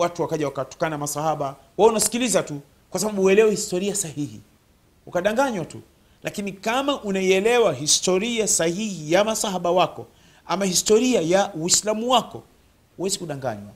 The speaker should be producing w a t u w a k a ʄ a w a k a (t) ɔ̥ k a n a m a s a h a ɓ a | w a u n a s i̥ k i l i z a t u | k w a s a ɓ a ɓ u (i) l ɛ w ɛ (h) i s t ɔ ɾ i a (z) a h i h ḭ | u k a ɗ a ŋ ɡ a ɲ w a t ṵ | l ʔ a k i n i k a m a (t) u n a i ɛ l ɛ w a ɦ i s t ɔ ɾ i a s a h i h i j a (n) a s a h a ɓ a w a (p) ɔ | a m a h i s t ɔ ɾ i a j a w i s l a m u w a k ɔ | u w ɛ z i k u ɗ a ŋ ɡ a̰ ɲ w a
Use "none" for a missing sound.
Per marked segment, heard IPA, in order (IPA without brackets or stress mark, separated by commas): t, ɛ, h, s, ʔ, m, k